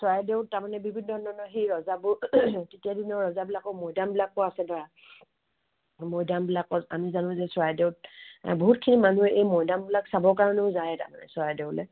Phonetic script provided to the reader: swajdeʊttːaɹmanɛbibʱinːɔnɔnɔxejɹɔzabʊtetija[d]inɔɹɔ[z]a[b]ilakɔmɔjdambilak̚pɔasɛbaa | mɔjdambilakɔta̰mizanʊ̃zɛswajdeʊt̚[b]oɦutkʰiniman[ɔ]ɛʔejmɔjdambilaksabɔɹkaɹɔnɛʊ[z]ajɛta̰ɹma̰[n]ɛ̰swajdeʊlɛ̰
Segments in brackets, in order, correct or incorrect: correct, correct, correct, correct, incorrect, correct, correct

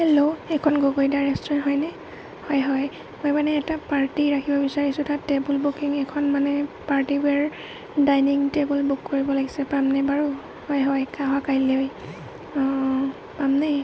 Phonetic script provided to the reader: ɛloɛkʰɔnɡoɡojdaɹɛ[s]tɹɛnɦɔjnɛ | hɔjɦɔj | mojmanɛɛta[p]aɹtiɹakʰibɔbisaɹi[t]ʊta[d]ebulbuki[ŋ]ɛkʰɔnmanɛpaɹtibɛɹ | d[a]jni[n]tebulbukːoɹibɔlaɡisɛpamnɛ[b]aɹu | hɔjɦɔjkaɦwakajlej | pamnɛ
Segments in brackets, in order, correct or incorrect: correct, correct, incorrect, incorrect, correct, correct, incorrect, correct

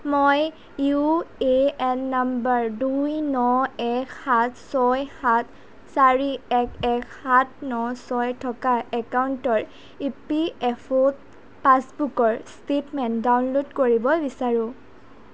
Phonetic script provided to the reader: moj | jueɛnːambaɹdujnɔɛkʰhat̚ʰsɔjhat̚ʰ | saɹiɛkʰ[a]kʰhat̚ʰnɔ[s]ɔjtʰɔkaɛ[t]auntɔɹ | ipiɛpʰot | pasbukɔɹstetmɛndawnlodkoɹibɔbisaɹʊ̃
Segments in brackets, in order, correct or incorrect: incorrect, correct, incorrect

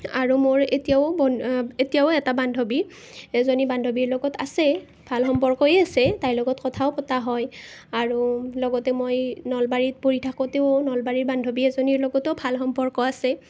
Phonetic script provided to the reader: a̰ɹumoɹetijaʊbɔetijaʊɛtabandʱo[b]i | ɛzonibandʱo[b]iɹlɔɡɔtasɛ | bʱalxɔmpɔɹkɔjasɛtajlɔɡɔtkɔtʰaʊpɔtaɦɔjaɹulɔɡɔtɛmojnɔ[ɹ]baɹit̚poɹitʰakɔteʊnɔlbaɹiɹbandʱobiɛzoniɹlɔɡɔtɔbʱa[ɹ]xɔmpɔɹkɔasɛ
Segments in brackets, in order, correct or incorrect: correct, correct, incorrect, incorrect

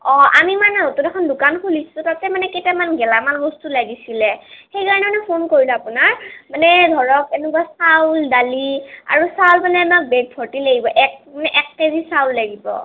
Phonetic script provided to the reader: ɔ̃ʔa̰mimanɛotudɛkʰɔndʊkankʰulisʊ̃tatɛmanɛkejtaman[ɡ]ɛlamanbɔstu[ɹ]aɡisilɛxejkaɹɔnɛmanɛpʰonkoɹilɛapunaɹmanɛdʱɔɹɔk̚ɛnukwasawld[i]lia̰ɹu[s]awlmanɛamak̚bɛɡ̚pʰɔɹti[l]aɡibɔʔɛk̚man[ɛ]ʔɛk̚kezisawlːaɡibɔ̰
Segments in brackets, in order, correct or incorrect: correct, incorrect, incorrect, correct, correct, correct

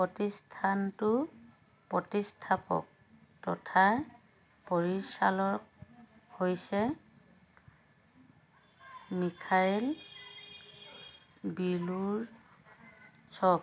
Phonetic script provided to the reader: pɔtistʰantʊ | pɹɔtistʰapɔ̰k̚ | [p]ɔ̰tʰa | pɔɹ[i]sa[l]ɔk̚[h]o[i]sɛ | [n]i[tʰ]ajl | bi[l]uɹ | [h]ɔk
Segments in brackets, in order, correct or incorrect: incorrect, correct, correct, correct, incorrect, incorrect, incorrect, correct, incorrect

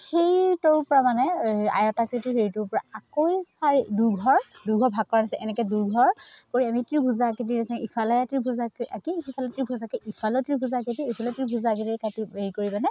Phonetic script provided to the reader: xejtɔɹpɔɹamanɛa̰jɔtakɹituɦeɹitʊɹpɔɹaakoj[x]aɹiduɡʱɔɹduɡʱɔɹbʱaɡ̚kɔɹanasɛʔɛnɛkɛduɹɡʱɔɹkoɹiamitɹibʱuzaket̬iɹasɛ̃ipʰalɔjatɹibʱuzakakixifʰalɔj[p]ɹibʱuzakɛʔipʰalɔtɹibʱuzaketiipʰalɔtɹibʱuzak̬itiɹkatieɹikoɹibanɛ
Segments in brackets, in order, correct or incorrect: incorrect, incorrect

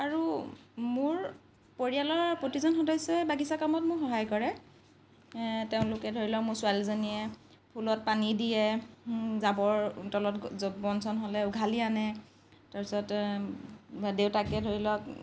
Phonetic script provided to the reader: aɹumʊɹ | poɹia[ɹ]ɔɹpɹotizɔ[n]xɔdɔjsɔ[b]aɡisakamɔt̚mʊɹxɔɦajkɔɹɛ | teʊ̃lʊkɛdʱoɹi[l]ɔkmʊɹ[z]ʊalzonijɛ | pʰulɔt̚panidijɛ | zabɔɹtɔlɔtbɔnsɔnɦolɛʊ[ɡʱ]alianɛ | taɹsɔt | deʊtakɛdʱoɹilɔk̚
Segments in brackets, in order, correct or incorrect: incorrect, correct, correct, correct, incorrect, correct

